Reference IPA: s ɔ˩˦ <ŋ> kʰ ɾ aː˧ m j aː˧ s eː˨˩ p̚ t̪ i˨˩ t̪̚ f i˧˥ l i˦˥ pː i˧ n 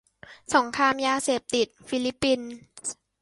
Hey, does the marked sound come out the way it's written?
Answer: yes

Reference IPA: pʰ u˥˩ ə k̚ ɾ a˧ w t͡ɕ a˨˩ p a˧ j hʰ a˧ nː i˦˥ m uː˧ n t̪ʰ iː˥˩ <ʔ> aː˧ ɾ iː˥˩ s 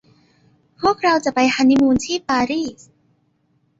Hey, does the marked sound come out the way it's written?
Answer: no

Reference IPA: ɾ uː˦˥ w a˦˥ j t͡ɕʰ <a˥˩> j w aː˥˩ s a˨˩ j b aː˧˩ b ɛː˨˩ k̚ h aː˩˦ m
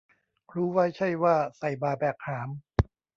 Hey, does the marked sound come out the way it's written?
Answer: yes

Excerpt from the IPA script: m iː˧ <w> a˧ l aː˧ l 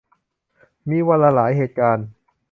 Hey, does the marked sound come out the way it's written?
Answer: yes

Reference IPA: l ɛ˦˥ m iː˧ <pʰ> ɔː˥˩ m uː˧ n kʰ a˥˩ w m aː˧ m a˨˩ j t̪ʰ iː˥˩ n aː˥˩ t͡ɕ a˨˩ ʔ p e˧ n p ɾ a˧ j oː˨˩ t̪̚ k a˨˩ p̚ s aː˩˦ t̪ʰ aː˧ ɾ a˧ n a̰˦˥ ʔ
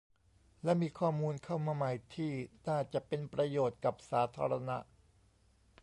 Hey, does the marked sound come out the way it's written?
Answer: no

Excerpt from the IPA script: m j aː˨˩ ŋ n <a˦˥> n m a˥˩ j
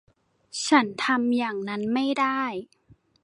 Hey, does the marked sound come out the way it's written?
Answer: yes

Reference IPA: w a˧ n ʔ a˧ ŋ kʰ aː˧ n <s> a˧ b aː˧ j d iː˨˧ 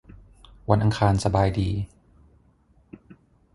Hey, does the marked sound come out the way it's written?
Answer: yes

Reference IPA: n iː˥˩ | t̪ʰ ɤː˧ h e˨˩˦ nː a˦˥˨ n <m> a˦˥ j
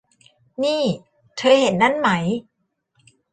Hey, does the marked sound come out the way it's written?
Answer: yes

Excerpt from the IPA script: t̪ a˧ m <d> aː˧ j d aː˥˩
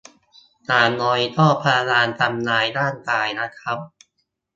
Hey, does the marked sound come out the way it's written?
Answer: no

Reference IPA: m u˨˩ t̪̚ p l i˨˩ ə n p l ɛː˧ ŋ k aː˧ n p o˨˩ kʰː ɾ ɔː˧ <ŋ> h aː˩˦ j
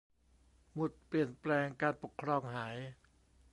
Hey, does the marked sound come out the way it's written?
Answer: yes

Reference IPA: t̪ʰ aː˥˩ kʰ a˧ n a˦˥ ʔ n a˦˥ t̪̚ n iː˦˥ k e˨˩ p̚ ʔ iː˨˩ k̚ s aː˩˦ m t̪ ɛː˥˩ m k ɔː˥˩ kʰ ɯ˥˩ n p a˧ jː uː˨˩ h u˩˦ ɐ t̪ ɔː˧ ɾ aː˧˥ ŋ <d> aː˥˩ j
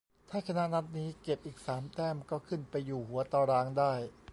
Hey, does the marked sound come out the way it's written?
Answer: yes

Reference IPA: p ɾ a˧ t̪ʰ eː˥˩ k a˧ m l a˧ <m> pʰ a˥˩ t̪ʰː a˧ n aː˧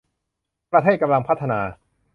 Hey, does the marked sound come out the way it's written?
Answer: no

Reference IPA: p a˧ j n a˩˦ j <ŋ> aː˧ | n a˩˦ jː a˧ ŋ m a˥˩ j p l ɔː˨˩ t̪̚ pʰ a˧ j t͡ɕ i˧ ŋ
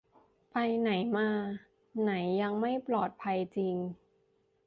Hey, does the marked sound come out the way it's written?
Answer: no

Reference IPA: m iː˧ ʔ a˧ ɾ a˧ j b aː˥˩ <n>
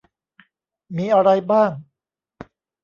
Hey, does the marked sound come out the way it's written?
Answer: no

